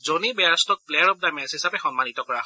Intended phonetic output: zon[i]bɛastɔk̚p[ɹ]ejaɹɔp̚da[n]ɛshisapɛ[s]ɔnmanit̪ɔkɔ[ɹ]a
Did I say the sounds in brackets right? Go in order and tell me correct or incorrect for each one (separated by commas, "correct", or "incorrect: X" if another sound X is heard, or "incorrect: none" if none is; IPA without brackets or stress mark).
correct, incorrect: l, incorrect: m, incorrect: x, correct